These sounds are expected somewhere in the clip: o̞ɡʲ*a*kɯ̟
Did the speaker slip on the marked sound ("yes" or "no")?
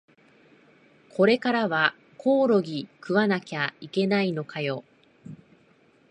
yes